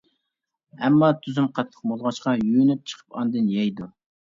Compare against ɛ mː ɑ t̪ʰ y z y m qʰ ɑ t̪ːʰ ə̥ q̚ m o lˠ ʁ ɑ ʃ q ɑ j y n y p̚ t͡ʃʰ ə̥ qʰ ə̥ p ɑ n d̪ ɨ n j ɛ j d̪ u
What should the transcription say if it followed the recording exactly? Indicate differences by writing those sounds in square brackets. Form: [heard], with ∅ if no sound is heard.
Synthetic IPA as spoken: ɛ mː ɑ t̪ʰ y z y m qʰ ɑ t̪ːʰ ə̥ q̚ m o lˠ ʁ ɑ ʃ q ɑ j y n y p̚ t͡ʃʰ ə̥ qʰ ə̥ p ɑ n d̪ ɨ n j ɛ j d̪ u